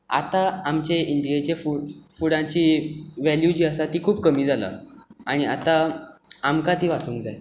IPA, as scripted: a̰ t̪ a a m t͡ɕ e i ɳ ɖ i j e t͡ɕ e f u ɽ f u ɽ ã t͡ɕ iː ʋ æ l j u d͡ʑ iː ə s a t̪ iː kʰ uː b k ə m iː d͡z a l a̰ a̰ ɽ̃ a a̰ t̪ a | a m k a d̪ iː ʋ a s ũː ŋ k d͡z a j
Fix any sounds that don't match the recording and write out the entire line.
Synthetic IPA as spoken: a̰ t̪ a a m t͡ɕ e i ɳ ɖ i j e t͡ɕ e f u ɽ f u ɽ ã t͡ɕ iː ʋ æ l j u d͡ʑ iː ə s a t̪ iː kʰ uː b k ə m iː d͡z a l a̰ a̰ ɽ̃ i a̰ t̪ a | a m k a t̪ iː ʋ a t͡s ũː ŋ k d͡z a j